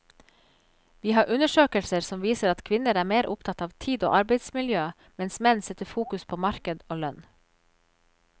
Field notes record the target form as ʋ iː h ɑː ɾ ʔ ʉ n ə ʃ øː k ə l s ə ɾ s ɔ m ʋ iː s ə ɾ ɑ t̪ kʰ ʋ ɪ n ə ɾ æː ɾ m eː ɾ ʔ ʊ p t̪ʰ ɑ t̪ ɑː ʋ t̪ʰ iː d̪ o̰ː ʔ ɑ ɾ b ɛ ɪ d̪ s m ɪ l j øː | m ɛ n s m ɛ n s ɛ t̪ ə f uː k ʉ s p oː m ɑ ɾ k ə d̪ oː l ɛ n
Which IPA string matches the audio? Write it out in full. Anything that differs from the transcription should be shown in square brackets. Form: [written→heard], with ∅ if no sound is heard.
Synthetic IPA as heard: ʋ iː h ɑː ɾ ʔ ʉ n ə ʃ øː k ə l s ə ɾ s ɔ m ʋ iː s ə ɾ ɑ t̪ kʰ ʋ ɪ n ə ɾ æː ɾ m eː ɾ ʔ ʊ p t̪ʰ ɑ t̪ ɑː ʋ t̪ʰ iː d̪ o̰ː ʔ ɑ ɾ b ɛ ɪ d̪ s m ɪ l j øː | m ɛ n s m ɛ n s ɛ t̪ ə f uː k ʉ s [p→pʰ] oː m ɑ ɾ k ə d̪ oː l [ɛ→œ] n